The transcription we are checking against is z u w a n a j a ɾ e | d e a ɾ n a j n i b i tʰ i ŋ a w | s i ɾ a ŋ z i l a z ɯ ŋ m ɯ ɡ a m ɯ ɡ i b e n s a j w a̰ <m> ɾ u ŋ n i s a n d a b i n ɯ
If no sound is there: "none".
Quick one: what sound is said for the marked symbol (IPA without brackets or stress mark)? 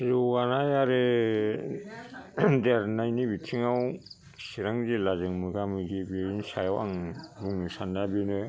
ŋ